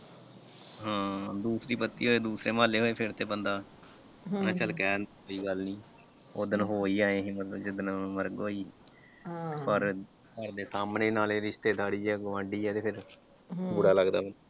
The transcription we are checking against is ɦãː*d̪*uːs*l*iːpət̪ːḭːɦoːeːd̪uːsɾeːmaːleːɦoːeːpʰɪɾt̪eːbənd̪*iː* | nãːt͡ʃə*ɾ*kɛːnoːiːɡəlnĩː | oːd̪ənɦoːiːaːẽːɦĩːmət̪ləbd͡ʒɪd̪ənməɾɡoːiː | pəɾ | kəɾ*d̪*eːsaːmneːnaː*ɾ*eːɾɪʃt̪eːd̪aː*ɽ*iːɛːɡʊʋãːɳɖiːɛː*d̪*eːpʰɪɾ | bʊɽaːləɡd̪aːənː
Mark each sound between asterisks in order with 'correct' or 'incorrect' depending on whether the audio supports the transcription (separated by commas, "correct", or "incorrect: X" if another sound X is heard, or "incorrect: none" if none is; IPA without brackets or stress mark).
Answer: correct, incorrect: ɾ, incorrect: aː, incorrect: l, correct, incorrect: l, correct, incorrect: t̪